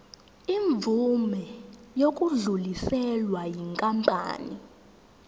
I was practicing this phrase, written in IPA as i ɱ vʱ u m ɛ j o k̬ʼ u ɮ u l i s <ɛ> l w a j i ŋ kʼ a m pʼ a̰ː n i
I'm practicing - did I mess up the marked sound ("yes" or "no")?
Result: no